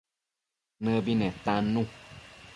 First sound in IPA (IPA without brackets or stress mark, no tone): n